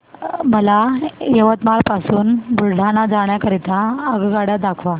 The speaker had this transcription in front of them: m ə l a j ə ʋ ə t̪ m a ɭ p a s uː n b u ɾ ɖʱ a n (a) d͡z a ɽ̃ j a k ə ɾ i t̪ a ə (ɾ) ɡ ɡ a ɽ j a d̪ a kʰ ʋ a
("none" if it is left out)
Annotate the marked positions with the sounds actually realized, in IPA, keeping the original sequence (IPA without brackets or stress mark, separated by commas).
a, none